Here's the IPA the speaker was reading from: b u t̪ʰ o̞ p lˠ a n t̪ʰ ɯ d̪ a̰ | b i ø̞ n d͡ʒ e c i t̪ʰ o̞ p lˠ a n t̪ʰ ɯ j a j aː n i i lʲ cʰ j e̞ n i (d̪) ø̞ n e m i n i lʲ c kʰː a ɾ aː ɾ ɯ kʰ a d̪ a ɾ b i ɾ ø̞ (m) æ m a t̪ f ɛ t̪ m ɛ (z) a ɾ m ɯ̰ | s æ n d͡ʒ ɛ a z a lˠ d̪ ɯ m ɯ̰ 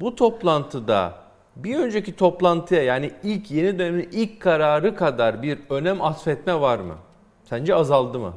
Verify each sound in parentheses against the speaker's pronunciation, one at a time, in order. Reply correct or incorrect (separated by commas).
correct, incorrect, incorrect